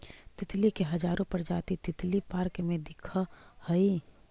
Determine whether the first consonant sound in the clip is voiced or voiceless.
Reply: voiceless